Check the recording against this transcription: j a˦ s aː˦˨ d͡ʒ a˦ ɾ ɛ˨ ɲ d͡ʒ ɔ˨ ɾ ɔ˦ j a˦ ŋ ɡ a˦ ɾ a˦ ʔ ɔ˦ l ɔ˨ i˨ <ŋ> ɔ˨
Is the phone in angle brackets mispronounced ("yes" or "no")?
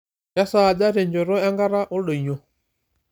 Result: yes